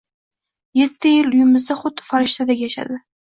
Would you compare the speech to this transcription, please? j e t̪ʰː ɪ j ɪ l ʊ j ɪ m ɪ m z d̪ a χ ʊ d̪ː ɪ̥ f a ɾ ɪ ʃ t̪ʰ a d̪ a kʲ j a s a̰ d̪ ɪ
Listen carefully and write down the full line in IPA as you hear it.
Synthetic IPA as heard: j e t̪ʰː ɪ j ɪ l ʊ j ɪ m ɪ z d̪ a χ ʊ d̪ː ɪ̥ f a ɾ ɪ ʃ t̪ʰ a d̪ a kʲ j a ʃ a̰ d̪ ɪ